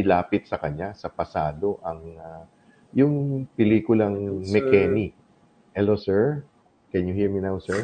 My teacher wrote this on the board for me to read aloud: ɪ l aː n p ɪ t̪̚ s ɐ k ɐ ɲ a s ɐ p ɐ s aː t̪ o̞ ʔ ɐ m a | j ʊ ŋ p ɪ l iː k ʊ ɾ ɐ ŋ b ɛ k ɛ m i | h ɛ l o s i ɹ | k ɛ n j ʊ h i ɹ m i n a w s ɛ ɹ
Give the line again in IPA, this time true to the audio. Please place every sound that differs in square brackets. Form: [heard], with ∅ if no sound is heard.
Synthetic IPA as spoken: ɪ l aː [∅] p ɪ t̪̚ s ɐ k ɐ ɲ a s ɐ p ɐ s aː [d̪] o̞ ʔ ɐ [ŋ] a | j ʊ ŋ p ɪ l iː k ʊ [l] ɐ ŋ [m] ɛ k ɛ [n] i | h ɛ l o s [ɛ] ɹ | k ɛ n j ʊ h i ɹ m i n a w s ɛ ɹ